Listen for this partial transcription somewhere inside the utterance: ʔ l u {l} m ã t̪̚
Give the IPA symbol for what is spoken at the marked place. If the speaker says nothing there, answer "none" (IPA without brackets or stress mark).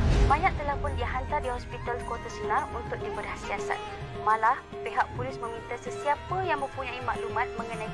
none